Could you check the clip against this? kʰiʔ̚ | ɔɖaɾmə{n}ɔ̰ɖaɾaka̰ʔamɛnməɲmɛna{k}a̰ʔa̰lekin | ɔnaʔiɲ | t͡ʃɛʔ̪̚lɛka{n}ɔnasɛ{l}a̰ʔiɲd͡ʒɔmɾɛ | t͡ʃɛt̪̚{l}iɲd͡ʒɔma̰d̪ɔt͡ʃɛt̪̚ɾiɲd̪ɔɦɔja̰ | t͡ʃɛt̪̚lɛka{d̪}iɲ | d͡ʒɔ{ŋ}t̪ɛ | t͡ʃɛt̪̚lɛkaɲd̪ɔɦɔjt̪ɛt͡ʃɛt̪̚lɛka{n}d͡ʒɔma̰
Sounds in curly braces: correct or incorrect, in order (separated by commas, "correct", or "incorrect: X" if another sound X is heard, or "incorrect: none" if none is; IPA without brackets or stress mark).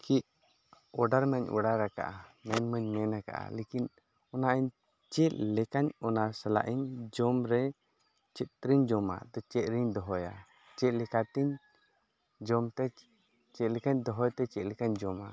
incorrect: ɲ, correct, incorrect: ɲ, correct, incorrect: ɾ, incorrect: t̪, incorrect: m, incorrect: ɲ